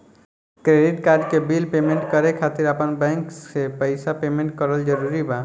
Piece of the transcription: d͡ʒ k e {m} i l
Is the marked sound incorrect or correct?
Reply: incorrect